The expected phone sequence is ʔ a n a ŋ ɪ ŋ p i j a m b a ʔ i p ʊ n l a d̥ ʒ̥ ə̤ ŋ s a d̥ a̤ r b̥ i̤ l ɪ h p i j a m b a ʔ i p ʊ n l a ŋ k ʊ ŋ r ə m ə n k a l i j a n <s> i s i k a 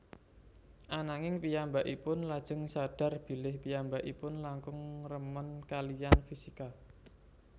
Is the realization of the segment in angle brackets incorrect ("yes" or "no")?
yes